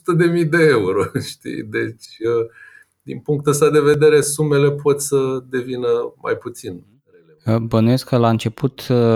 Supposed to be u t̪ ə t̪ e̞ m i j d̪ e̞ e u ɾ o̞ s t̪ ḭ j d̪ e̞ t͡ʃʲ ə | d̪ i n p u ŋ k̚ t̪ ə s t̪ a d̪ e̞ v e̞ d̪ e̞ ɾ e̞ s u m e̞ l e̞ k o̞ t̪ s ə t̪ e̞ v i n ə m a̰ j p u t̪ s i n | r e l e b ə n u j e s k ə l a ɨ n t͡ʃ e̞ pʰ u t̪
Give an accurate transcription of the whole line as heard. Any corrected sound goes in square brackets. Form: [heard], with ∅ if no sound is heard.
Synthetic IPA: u t̪ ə [d̪] e̞ m i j d̪ e̞ e u ɾ o̞ [ʃ] t̪ ḭ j d̪ e̞ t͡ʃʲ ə | d̪ i n p u ŋ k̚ t̪ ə s t̪ a d̪ e̞ v e̞ d̪ e̞ ɾ e̞ s u m e̞ l e̞ [p] o̞ t̪ s ə [d̪] e̞ v i n ə m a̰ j p u t̪ s i n | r e l e b ə n u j e s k ə l a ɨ n t͡ʃ e̞ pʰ u t̪